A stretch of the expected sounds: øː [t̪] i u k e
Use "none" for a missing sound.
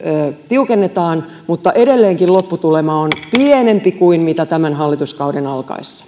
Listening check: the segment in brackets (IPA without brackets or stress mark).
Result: t̪